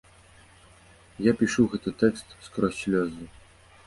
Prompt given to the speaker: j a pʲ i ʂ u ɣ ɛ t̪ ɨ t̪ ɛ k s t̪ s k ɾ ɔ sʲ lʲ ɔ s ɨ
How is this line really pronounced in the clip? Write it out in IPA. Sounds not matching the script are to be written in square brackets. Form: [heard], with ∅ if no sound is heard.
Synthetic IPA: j a pʲ i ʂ u ɣ ɛ t̪ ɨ t̪ ɛ k s t̪ s k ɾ ɔ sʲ lʲ ɔ [z] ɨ